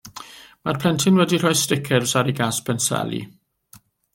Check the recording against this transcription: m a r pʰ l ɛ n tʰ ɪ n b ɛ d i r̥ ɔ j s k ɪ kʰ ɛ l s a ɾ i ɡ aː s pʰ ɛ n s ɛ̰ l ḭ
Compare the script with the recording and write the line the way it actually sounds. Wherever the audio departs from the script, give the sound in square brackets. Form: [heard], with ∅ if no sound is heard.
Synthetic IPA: m a r pʰ l ɛ n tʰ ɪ n [w] ɛ d i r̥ ɔ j s [t] ɪ kʰ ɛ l s a ɾ i ɡ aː s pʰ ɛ n s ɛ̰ l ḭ